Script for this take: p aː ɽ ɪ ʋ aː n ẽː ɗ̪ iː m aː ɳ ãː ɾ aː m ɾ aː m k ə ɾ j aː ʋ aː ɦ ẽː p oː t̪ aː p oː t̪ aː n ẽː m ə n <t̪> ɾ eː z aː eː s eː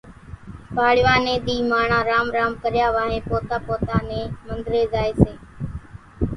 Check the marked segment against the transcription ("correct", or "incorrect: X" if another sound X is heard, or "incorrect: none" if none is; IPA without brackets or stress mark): incorrect: d̪